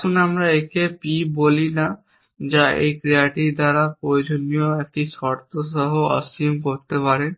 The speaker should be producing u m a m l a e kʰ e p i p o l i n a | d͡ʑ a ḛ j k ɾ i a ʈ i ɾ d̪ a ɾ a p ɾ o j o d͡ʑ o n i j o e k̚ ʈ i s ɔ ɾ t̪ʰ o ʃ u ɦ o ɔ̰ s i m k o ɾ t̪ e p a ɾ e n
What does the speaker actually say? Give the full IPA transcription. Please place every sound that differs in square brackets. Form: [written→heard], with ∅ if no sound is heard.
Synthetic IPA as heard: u [m→n] a m [l→ɾ] a e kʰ e p i [p→b] o l i n a | d͡ʑ a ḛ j k ɾ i a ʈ i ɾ d̪ a ɾ a p ɾ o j o d͡ʑ o n i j o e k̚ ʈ i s ɔ ɾ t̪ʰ o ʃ [u→ɔ] ɦ o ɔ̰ s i m k o ɾ t̪ e p a ɾ e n